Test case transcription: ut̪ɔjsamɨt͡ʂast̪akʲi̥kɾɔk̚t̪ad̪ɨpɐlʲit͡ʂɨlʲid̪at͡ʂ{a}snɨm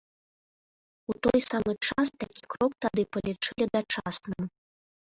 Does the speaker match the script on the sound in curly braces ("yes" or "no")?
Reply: yes